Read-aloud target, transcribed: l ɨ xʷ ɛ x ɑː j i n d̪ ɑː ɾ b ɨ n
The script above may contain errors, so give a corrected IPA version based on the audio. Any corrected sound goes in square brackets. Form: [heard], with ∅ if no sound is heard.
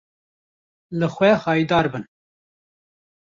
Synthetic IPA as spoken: l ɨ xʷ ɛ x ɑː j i [∅] d̪ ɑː ɾ b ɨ n